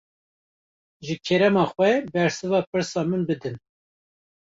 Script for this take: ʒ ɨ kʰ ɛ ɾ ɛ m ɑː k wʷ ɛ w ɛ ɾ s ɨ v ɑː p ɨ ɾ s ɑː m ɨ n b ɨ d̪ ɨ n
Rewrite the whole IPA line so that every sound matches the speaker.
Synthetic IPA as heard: ʒ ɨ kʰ ɛ ɾ ɛ m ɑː x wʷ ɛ b ɛ ɾ s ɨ v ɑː p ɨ ɾ s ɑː m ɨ n b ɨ d̪ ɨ n